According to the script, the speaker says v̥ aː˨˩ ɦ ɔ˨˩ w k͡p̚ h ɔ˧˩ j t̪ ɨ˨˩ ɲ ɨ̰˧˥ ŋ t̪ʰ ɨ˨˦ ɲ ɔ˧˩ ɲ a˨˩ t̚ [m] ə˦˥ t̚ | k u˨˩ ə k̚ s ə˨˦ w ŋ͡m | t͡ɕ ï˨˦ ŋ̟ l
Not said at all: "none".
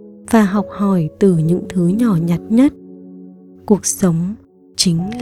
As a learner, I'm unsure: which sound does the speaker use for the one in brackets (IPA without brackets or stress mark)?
ɲ